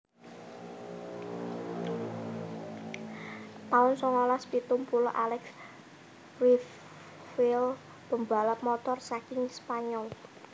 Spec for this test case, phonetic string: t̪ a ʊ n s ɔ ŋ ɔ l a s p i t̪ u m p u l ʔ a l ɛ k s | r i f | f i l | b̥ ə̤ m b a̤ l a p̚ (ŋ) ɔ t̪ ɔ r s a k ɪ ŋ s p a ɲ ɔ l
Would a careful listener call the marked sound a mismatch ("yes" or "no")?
yes